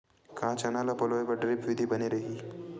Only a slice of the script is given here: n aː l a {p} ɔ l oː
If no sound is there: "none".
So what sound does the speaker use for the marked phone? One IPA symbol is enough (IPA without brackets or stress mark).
p